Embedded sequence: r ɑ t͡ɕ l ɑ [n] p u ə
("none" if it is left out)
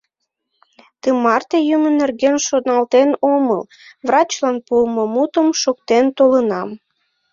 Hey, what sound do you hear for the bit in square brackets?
n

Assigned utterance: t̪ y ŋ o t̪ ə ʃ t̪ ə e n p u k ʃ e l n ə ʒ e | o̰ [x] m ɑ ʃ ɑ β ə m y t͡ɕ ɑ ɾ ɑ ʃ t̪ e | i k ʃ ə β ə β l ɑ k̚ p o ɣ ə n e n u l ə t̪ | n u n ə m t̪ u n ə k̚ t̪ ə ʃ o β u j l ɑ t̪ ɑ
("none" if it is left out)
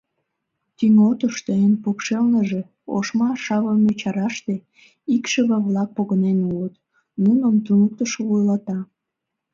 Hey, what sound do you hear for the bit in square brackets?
ʃ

